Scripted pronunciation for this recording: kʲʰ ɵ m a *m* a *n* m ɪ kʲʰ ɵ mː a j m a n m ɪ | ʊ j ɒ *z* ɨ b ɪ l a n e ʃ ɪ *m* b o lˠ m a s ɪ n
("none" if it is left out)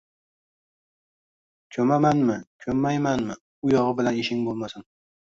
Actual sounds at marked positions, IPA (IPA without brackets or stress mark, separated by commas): m, n, ʁ, ŋ